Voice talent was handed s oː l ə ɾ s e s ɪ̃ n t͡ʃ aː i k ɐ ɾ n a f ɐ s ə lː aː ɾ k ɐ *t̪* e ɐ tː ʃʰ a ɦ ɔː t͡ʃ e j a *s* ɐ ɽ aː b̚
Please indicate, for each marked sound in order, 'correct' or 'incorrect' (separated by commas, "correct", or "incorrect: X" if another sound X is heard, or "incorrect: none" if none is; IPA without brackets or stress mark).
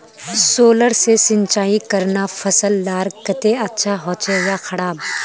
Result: correct, incorrect: x